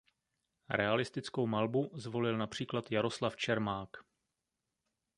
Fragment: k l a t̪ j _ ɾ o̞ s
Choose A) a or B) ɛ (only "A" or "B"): A